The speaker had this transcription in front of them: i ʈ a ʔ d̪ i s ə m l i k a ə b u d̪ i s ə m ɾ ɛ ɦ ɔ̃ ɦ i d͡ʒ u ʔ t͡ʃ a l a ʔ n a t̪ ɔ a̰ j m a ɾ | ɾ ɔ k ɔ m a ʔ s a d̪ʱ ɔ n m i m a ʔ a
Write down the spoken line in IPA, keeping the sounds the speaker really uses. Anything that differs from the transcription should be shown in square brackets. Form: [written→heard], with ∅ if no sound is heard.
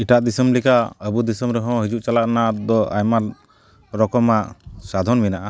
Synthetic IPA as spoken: i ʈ a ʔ d̪ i s ə m l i k a ə b u d̪ i s ə m ɾ ɛ ɦ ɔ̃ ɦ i d͡ʒ u ʔ t͡ʃ a l a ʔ n a [t̪→d̪] ɔ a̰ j m a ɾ | ɾ ɔ k ɔ m a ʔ s a d̪ʱ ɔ n m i [m→n] a ʔ a